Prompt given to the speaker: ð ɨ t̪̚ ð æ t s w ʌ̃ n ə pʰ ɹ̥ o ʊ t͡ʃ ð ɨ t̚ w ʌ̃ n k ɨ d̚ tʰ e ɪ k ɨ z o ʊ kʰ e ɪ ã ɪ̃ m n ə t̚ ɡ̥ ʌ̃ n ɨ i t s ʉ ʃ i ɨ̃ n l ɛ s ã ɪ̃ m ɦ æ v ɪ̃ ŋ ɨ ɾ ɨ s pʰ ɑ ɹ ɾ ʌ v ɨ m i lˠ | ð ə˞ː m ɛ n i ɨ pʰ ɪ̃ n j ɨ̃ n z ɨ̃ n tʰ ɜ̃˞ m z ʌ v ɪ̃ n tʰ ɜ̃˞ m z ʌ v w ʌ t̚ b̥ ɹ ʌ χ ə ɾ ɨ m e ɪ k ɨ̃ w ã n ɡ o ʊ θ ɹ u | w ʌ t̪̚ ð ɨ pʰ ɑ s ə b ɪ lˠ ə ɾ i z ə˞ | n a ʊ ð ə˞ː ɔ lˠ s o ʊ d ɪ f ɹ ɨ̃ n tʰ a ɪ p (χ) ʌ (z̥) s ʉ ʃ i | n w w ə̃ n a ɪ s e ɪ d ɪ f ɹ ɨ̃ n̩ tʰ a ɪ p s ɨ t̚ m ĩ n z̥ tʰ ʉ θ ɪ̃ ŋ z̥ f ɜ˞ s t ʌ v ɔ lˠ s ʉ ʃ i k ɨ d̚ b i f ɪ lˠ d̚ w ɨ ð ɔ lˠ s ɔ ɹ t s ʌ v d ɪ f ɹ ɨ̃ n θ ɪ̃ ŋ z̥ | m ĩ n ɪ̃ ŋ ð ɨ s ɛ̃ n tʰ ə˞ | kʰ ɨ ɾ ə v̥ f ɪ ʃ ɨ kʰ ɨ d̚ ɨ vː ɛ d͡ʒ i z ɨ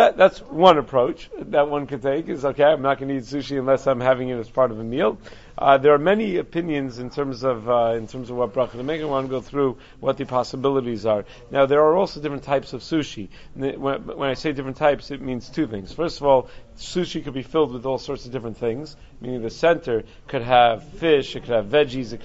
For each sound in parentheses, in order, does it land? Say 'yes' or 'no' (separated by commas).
no, no